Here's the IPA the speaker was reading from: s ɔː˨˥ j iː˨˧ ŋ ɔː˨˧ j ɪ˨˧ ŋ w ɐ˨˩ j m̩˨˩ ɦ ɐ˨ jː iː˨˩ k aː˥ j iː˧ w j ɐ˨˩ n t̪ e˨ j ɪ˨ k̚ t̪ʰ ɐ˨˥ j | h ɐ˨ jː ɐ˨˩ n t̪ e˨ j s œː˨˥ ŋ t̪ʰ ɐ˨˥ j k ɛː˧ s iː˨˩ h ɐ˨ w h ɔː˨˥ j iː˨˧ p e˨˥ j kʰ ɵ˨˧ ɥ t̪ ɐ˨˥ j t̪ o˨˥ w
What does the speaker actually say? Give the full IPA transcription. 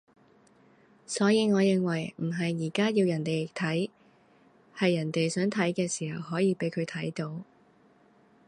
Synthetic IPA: s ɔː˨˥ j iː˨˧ ŋ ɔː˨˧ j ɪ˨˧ ŋ w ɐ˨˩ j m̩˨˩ ɦ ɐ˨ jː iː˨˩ k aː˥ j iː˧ w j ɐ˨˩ n t̪ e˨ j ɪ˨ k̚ t̪ʰ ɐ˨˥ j | h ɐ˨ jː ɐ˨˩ n t̪ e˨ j s œː˨˥ ŋ t̪ʰ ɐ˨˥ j k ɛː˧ s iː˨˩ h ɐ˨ w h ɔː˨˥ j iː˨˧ p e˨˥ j kʰ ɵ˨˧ ɥ t̪ʰ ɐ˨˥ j t̪ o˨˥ w